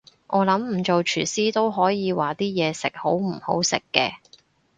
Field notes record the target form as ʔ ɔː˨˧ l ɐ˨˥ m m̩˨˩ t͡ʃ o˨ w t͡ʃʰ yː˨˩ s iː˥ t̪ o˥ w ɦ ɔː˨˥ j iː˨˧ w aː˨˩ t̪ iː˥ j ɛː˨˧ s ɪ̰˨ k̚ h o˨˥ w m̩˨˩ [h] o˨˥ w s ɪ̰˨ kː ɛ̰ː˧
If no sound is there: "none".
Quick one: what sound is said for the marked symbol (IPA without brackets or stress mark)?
h